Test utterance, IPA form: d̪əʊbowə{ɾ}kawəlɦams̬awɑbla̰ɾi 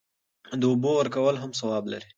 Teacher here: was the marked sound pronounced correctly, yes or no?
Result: yes